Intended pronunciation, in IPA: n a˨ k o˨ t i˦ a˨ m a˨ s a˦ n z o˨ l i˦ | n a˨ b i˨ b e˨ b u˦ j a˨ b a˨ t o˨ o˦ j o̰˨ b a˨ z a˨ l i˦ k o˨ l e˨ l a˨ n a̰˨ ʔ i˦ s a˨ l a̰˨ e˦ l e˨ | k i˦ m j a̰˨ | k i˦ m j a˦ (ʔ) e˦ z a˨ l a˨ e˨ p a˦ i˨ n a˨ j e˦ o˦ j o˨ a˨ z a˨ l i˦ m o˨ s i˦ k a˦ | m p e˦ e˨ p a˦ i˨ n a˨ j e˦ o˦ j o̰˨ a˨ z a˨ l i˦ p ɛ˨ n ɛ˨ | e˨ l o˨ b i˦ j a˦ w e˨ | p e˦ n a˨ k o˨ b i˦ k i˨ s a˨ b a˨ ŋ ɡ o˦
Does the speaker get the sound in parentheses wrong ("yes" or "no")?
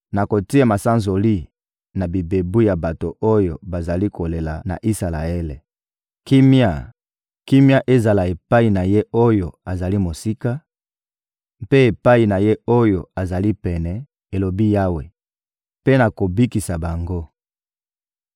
no